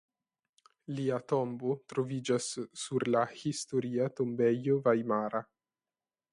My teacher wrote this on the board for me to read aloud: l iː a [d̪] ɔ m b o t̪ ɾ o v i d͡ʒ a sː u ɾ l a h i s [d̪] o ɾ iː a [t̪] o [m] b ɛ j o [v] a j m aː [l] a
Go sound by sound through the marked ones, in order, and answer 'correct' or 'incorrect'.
incorrect: t̪, incorrect: t̪, correct, correct, correct, incorrect: ɾ

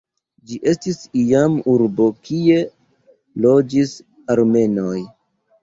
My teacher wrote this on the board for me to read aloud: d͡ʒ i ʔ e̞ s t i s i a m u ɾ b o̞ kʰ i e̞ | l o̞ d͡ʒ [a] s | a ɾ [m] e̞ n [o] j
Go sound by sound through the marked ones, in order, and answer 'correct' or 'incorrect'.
incorrect: i, correct, correct

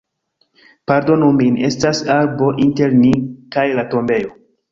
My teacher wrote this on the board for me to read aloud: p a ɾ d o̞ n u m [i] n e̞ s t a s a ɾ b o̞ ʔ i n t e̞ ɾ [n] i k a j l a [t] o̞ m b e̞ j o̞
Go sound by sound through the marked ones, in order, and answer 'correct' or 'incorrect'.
correct, correct, correct

